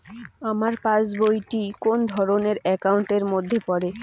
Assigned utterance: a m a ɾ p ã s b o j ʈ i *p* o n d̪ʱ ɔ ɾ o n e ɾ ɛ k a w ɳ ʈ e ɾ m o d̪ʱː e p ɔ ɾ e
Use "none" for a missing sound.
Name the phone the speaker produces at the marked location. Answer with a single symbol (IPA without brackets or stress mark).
k